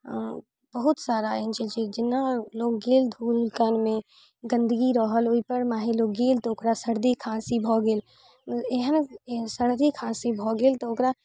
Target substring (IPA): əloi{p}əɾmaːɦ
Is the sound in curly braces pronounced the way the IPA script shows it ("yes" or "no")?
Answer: yes